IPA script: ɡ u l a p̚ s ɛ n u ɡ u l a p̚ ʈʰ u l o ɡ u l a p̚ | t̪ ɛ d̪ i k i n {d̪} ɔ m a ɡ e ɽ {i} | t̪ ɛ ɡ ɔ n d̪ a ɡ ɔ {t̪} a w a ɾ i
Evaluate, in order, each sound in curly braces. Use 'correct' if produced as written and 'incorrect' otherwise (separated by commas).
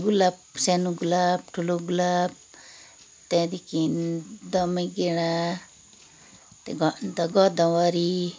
correct, incorrect, incorrect